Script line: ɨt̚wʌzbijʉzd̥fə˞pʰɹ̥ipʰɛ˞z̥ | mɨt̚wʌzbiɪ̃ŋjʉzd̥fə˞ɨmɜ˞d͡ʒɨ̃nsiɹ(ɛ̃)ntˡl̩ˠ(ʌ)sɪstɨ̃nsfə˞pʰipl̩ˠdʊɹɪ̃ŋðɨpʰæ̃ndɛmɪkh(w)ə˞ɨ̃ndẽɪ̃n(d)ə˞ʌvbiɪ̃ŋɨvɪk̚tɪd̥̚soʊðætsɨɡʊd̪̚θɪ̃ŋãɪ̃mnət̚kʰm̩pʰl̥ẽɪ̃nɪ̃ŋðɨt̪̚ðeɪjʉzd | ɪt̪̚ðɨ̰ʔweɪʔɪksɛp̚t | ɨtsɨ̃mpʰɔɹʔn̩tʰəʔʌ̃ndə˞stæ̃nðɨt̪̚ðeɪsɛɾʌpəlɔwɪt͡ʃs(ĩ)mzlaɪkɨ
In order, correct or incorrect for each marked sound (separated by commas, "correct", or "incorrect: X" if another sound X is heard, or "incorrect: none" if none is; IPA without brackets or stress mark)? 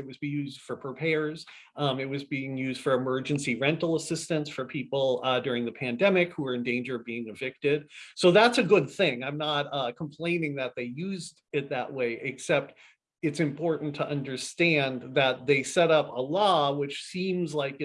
correct, incorrect: ə, incorrect: u, incorrect: d͡ʒ, correct